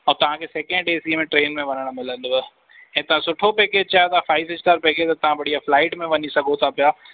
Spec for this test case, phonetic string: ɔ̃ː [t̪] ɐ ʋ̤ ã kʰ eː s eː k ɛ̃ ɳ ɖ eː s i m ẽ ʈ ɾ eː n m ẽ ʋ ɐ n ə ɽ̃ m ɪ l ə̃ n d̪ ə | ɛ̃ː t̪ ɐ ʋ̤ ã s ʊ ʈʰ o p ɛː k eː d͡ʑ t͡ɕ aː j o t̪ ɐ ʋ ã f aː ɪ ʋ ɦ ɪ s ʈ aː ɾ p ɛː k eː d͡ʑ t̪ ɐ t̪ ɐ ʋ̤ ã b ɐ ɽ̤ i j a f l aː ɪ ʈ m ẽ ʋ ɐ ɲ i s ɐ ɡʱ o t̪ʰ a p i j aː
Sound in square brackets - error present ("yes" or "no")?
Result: no